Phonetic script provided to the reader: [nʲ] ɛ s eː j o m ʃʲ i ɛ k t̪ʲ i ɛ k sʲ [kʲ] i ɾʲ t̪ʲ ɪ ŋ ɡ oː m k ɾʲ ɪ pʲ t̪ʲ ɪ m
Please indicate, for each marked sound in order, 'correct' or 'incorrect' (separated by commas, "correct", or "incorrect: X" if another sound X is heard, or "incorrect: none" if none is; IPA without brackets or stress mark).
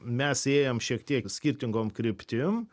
incorrect: mʲ, correct